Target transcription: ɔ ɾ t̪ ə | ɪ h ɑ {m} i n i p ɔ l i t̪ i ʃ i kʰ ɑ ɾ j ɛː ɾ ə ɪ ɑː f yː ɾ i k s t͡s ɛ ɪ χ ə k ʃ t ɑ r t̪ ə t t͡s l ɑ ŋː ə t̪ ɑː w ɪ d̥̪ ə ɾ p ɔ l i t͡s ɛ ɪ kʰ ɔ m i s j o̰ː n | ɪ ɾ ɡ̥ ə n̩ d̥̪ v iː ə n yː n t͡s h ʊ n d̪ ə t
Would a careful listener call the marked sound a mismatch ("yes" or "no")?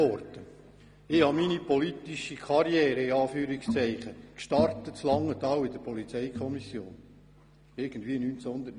no